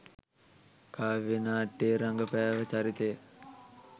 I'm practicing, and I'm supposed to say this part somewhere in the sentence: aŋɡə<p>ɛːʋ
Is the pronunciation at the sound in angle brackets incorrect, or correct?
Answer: correct